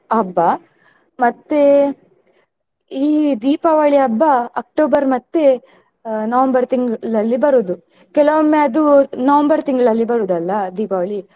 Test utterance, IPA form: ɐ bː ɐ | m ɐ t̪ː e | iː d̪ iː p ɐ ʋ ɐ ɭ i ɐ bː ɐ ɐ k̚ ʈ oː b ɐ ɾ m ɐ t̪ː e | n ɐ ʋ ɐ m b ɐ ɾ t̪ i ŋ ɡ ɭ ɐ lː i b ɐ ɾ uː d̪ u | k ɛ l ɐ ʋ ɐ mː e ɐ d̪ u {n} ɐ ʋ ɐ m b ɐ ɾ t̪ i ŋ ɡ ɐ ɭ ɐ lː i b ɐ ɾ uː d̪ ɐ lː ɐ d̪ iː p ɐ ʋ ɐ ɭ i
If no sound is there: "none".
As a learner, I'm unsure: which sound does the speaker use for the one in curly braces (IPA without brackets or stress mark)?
n